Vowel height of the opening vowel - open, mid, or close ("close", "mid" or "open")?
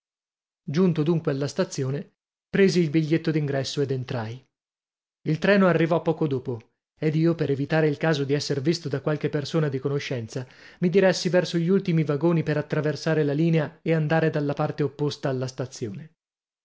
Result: close